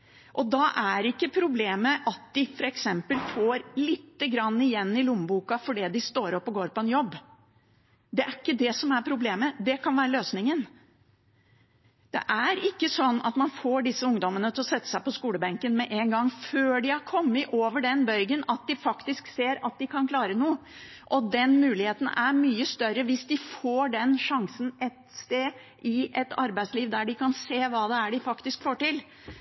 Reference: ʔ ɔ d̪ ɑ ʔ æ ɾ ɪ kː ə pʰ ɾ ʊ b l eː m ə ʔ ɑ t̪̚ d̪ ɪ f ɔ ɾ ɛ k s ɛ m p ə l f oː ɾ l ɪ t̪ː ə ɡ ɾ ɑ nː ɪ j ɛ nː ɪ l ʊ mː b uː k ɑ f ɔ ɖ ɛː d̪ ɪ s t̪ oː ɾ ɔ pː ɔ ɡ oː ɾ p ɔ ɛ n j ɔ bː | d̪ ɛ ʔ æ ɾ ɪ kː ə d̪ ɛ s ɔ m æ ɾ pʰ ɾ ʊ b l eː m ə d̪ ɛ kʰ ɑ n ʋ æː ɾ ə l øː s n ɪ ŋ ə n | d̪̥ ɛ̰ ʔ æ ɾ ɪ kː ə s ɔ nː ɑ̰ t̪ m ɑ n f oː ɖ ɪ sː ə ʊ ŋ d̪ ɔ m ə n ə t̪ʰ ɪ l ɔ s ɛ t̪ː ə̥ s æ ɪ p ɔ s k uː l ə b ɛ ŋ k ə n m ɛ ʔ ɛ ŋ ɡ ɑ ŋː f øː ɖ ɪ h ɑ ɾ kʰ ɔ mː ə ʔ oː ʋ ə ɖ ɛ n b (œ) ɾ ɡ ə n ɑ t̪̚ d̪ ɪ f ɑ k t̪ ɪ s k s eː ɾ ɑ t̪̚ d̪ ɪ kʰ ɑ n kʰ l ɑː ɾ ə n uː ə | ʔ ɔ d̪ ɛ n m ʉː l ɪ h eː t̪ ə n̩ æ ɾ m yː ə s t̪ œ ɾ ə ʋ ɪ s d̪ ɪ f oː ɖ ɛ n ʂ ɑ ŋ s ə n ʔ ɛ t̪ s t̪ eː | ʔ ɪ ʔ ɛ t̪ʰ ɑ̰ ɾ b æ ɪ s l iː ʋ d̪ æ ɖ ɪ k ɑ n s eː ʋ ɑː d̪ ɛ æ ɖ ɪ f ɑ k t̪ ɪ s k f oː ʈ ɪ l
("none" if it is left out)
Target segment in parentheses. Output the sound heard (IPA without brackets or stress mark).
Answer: œ